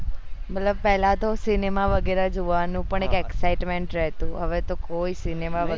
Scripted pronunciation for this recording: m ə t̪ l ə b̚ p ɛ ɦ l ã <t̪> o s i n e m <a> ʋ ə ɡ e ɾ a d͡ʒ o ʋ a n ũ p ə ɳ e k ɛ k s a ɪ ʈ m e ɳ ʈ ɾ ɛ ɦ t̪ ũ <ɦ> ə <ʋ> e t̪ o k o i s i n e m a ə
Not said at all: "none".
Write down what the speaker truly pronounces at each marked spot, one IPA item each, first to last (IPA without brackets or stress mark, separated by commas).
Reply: t̪, a, ɦ, ʋ